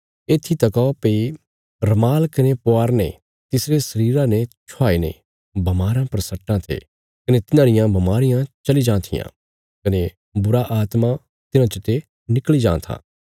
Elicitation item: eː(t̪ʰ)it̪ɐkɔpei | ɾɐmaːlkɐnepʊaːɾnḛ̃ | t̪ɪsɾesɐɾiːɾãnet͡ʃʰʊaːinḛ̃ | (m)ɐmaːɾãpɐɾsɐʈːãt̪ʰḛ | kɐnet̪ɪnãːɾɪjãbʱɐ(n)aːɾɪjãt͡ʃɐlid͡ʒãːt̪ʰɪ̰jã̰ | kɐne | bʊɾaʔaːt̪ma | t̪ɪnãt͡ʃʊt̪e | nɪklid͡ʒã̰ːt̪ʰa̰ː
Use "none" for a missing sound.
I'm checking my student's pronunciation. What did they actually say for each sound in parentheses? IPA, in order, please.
t̪ʰ, b, m

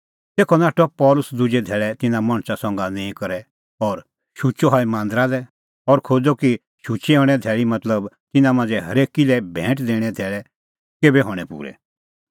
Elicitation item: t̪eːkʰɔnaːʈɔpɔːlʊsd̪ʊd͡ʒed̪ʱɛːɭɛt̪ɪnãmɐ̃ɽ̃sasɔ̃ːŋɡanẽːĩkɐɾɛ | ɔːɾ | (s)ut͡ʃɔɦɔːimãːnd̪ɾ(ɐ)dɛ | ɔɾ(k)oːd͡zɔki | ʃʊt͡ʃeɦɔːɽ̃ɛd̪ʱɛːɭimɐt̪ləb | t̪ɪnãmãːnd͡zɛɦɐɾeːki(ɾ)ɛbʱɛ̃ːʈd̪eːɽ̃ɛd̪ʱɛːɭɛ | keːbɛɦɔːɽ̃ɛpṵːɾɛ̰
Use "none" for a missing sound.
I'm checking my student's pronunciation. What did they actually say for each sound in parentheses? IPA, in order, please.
ʃ, a, kʰ, l

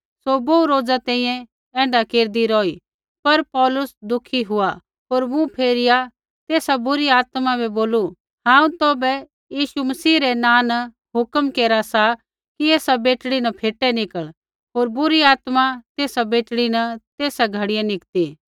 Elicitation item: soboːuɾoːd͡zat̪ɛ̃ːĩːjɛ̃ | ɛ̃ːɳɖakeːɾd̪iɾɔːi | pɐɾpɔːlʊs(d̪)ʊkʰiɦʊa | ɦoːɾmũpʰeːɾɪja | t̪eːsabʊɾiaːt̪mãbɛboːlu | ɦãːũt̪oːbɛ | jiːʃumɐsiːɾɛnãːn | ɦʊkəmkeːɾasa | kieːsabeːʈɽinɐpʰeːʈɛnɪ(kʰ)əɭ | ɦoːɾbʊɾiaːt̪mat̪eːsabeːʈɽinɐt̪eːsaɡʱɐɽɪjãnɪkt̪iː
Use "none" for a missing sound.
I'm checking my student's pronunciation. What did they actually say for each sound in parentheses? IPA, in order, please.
d̪, k

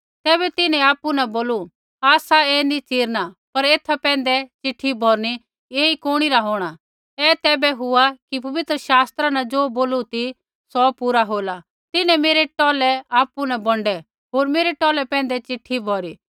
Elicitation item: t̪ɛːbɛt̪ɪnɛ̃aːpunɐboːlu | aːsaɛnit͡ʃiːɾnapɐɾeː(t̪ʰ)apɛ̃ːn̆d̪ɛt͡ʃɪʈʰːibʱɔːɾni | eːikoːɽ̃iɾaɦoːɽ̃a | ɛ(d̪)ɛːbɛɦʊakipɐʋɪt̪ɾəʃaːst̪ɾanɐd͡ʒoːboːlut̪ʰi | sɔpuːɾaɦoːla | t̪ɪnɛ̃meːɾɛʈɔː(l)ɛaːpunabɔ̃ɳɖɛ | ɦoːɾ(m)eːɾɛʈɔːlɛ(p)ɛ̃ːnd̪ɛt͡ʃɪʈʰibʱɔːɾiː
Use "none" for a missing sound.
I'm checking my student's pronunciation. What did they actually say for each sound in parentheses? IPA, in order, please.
t̪ʰ, t̪, l, m, p

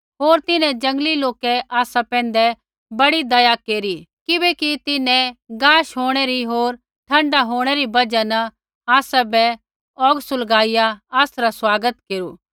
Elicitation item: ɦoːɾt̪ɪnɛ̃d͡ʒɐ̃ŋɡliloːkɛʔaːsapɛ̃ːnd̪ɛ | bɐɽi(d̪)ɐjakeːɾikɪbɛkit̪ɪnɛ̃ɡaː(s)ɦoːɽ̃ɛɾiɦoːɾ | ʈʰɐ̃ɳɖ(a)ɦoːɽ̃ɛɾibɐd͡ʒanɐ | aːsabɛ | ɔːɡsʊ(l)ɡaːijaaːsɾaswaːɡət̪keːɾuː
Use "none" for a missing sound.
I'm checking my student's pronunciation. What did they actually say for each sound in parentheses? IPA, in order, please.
d̪, ʃ, a, l

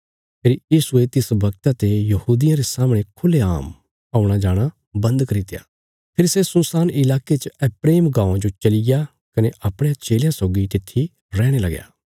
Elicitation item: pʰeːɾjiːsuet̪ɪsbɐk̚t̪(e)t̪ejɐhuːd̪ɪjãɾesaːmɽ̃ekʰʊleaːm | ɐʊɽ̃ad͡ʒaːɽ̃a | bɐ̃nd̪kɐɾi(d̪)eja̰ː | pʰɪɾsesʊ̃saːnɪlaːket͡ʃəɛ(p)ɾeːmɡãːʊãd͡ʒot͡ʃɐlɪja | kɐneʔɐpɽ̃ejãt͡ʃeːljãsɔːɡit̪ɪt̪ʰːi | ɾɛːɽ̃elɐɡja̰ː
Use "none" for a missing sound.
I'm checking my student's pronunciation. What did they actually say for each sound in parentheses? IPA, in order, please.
a, t̪, p

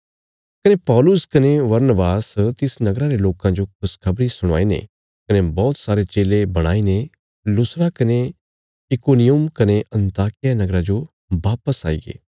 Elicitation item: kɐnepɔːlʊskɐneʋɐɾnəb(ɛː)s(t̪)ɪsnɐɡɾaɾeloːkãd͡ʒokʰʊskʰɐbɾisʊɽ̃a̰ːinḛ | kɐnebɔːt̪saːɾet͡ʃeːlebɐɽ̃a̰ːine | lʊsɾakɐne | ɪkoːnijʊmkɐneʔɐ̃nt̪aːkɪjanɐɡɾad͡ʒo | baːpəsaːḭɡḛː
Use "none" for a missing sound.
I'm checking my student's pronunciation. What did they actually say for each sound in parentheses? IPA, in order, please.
aː, t̪

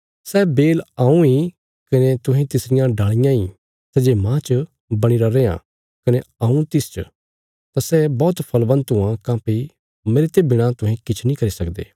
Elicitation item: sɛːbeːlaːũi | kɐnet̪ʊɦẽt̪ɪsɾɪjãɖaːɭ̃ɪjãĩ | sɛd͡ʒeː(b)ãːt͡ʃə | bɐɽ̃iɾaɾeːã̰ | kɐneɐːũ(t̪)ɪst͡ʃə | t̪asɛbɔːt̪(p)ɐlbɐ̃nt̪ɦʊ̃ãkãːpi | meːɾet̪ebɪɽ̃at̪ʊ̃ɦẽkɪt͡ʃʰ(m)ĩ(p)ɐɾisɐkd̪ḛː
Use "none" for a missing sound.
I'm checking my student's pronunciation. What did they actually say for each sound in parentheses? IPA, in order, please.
m, t̪, pʰ, n, k

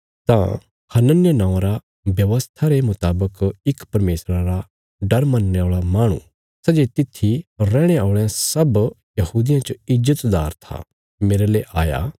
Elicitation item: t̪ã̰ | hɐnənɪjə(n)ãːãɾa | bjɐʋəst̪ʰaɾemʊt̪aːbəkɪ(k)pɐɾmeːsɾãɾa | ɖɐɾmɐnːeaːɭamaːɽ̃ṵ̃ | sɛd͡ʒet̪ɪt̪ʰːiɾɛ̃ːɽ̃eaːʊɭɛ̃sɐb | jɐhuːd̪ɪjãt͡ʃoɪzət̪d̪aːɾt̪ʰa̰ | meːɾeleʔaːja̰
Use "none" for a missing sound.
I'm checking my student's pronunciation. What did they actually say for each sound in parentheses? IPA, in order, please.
n, k

